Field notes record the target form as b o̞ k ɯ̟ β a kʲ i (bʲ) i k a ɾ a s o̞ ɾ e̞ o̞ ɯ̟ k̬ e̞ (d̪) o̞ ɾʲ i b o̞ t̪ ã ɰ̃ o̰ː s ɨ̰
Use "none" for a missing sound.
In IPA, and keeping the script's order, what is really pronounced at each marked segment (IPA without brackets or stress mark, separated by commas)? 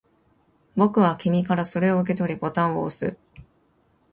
mʲ, t̪